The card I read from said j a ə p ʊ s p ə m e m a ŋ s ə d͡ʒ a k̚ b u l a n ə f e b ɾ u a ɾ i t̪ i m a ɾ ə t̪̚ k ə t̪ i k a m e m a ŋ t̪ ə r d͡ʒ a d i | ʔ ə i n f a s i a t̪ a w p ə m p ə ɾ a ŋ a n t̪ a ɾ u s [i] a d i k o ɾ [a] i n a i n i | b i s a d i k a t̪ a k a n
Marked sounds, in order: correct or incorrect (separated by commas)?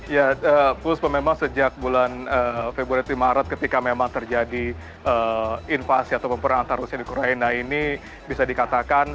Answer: correct, correct